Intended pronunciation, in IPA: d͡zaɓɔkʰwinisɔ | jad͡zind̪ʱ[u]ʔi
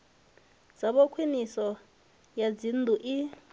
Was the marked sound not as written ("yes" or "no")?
no